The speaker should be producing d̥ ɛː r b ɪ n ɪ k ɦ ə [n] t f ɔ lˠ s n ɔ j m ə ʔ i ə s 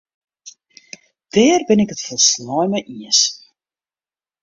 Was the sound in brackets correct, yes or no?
no